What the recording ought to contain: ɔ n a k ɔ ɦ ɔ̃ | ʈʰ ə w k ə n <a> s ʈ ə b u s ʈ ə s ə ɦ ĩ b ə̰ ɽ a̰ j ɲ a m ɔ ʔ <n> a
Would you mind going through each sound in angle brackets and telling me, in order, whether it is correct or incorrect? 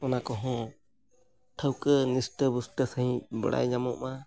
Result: incorrect: i, incorrect: m

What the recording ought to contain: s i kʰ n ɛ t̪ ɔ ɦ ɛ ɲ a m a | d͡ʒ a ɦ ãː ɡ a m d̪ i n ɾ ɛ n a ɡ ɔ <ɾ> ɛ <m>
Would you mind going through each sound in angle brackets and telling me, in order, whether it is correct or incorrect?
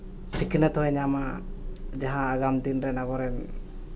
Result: correct, incorrect: n

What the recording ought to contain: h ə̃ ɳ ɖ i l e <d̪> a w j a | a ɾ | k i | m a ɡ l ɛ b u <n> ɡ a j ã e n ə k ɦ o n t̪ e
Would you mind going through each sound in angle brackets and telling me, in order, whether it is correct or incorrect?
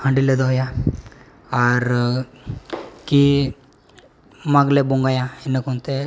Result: correct, incorrect: ŋ

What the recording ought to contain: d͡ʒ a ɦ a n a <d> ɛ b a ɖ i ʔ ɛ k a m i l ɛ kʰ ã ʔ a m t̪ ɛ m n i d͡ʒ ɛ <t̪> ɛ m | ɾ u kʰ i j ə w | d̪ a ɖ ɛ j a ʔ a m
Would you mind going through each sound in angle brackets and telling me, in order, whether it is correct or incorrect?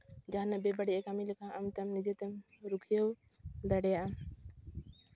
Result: incorrect: b, correct

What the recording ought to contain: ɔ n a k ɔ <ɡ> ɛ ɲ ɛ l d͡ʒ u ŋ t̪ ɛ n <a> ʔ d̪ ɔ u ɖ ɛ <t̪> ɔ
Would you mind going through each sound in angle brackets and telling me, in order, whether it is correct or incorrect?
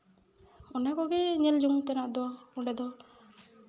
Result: correct, correct, incorrect: d̪

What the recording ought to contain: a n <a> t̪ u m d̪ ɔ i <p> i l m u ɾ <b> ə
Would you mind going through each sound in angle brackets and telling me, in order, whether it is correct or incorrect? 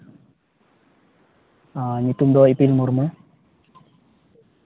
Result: incorrect: i, correct, incorrect: m

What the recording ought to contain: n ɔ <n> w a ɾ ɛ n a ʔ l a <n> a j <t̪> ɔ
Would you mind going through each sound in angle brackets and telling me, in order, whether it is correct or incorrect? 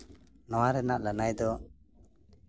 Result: incorrect: none, correct, incorrect: d̪

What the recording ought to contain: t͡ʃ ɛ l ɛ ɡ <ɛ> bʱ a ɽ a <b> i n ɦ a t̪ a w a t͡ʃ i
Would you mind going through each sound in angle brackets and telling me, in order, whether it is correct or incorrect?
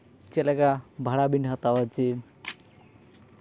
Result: incorrect: a, correct

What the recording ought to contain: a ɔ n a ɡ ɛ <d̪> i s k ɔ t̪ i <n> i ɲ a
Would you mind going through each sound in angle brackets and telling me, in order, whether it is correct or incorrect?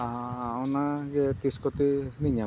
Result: incorrect: t̪, correct

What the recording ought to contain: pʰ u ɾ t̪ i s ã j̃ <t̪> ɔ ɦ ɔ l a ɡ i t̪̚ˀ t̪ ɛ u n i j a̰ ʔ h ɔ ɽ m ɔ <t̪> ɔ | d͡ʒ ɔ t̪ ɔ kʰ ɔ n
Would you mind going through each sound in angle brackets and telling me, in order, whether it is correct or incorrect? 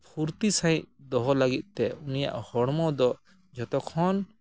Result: incorrect: d̪, incorrect: d̪

